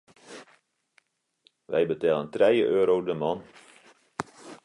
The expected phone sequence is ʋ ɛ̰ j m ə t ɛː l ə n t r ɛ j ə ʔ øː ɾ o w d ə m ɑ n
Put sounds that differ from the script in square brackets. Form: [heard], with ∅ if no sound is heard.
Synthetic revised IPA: ʋ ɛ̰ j [b] ə t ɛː l ə n t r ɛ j ə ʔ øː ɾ o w d ə m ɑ n